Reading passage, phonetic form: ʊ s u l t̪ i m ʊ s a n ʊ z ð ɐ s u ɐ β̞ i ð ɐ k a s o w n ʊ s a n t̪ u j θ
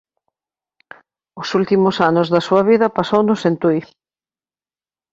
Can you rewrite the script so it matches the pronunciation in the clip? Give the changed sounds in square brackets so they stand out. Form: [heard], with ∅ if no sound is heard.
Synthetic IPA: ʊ s u l t̪ i m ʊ s a n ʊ z ð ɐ s u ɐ β̞ i ð ɐ [p] a s o w n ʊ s [e] n t̪ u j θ